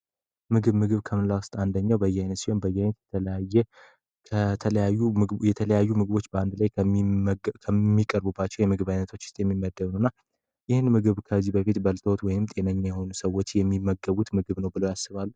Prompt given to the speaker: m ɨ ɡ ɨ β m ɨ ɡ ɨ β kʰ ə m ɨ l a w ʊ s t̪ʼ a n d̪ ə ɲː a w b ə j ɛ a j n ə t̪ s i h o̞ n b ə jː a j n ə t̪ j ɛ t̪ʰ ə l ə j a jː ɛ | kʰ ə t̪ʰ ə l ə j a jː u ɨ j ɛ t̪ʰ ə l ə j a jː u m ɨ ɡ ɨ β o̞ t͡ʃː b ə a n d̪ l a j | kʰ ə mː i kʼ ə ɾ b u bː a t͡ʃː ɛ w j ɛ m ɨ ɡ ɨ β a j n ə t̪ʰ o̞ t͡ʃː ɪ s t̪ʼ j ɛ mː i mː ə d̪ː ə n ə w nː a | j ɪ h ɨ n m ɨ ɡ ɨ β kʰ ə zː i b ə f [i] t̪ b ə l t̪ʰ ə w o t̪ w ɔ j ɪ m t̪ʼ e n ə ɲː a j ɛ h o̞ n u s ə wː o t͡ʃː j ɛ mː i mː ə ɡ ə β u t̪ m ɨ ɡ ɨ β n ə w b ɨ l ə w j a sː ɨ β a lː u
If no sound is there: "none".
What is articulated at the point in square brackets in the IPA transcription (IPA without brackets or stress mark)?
i